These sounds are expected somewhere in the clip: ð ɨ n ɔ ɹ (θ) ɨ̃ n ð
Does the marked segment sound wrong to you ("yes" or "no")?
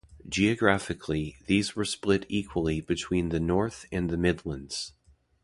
no